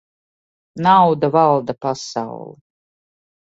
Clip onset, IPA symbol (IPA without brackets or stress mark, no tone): n